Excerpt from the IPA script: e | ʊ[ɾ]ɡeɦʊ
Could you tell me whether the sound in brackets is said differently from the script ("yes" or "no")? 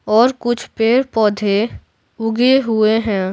yes